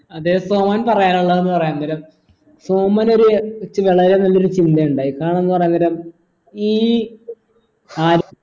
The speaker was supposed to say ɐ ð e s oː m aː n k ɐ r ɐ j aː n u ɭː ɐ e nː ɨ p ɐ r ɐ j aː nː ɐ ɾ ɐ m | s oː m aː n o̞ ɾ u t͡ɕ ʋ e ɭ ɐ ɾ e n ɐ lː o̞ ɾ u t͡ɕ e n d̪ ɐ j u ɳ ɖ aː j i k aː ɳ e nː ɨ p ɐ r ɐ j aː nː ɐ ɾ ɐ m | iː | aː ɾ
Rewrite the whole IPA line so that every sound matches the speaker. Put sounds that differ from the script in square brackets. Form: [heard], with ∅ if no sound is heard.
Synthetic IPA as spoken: ɐ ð e s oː m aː n [p] ɐ r ɐ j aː n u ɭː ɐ e nː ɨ p ɐ r ɐ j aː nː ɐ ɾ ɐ m | s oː m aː n o̞ ɾ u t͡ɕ ʋ e ɭ ɐ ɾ e n ɐ lː o̞ ɾ u t͡ɕ [i] n d̪ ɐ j u ɳ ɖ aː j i k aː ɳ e nː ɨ p ɐ r ɐ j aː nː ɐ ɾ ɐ m | iː | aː ɾ